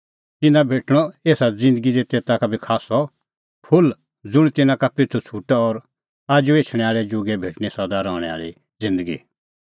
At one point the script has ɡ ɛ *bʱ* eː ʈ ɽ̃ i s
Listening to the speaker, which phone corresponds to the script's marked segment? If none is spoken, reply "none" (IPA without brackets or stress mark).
bʱ